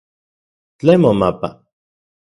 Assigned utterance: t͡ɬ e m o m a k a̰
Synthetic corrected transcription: t͡ɬ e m o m a p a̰